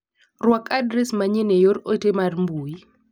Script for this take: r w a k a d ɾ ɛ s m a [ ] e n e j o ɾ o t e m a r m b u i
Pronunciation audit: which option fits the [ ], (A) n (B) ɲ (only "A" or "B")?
B